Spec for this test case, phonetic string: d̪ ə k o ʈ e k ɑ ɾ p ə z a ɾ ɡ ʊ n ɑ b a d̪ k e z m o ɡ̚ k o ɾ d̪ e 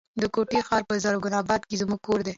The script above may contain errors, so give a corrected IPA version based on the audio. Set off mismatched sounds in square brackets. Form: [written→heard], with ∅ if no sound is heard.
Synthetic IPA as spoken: d̪ ə k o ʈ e [k→x] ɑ ɾ p ə z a ɾ ɡ ʊ n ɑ b [a→ɑ] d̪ k e z m [o→u] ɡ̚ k o ɾ d̪ e